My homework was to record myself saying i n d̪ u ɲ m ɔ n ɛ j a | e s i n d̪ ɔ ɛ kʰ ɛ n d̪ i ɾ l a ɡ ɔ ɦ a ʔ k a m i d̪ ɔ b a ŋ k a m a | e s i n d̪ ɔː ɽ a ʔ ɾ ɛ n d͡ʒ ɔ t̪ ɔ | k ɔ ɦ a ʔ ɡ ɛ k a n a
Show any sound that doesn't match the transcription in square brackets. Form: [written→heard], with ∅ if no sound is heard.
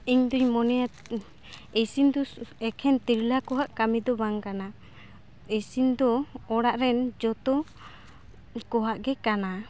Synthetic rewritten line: i [n→ɲ] d̪ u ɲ m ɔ n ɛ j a | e s i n d̪ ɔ ɛ kʰ ɛ n [d̪→t̪] i ɾ l a [ɡ→k] ɔ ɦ a ʔ k a m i d̪ ɔ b a ŋ k a [m→n] a | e s i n d̪ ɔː ɽ a ʔ ɾ ɛ n d͡ʒ ɔ t̪ ɔ | k ɔ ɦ a ʔ ɡ ɛ k a n a